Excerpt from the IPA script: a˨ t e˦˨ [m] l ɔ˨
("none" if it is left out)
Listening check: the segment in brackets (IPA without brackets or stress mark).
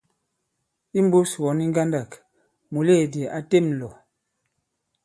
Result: m